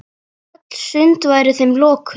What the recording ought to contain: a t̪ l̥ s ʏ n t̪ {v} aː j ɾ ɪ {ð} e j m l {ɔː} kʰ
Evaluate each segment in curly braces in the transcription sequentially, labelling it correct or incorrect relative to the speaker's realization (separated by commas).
correct, incorrect, correct